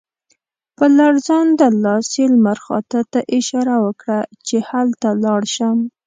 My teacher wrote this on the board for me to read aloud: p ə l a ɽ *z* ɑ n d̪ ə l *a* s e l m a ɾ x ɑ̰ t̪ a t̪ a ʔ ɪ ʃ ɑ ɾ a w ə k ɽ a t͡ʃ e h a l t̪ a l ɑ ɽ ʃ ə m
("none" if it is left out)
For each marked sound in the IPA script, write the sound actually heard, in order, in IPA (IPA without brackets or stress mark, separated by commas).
z, ɑ